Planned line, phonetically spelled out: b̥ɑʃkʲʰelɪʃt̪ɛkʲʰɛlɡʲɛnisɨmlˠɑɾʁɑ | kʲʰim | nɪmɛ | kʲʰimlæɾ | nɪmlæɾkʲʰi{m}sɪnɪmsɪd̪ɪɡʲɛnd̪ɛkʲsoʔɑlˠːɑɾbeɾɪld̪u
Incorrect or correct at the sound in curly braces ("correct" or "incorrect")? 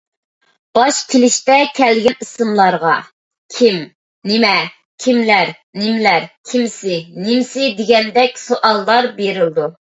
correct